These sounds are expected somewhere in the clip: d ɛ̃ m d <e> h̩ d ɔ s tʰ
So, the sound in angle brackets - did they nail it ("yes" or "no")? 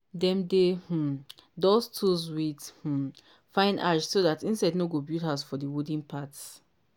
yes